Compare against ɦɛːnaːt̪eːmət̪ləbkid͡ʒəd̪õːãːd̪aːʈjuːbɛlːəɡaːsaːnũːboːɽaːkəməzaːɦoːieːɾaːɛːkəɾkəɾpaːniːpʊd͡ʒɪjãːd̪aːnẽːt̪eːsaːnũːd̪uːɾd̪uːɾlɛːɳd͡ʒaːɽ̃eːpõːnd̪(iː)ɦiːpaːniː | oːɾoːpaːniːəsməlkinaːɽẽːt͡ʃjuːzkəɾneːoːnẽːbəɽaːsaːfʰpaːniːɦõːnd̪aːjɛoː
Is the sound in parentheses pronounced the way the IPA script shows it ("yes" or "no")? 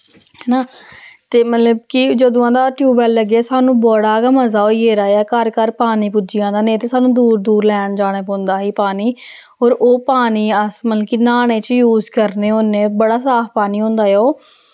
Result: no